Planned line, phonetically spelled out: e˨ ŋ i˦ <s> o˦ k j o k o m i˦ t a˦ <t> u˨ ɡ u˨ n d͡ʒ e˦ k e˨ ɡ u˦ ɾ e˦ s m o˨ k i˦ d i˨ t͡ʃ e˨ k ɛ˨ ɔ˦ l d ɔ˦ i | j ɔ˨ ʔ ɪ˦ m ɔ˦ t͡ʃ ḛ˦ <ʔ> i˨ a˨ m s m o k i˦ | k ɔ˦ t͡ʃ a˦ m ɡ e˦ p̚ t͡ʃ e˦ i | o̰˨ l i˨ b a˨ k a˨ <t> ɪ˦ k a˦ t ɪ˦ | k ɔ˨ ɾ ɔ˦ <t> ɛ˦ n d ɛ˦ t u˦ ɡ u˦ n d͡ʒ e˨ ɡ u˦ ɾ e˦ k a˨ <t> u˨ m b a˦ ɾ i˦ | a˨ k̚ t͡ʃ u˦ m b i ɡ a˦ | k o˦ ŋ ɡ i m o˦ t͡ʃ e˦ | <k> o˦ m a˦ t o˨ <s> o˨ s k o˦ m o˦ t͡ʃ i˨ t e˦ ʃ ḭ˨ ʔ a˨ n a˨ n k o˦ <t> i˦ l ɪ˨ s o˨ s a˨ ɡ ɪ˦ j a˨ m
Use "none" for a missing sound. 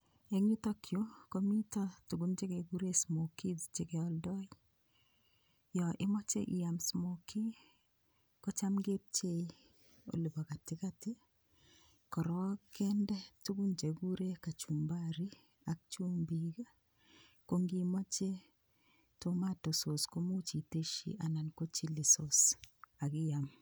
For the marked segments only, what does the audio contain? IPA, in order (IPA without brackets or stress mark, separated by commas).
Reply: t, t, ʔ, t, k, t͡ʃ, t, s, t͡ʃ